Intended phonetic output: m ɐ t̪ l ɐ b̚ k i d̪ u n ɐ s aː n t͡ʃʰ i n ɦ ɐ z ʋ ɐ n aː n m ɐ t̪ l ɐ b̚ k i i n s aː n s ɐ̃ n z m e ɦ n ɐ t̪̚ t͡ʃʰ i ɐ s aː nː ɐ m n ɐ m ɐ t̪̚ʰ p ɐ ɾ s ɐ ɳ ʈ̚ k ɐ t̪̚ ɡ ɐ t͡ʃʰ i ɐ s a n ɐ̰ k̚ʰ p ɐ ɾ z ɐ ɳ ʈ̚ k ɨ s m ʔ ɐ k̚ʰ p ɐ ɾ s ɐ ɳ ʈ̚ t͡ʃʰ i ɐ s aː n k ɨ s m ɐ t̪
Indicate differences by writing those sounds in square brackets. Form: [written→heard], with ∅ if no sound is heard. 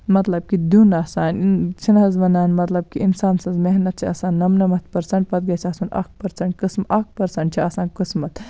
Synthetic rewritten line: m ɐ t̪ l ɐ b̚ k i d̪ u n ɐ s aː n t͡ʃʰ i n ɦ ɐ z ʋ ɐ n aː n m ɐ t̪ l ɐ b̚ k i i n s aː n s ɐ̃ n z m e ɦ n ɐ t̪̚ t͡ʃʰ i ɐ s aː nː ɐ m n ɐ m ɐ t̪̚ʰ p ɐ ɾ s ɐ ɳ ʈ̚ [k→p] ɐ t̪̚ ɡ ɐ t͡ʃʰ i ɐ s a n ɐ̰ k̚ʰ p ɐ ɾ [z→s] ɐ ɳ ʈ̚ k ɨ s m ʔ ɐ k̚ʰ p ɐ ɾ s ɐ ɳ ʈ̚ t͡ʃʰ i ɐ s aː n k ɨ s m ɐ t̪